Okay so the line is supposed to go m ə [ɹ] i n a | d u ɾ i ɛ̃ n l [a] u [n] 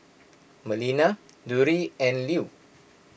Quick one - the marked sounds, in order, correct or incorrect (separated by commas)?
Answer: incorrect, incorrect, incorrect